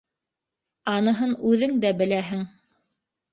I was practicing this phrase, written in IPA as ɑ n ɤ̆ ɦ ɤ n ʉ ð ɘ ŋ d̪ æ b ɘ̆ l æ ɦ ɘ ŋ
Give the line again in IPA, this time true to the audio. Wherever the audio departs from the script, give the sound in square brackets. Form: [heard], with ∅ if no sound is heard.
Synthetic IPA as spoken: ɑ n ɤ̆ ɦ ɤ n ʉ ð ɘ ŋ d̪ æ b ɘ̆ l æ ɦ ɘ ŋ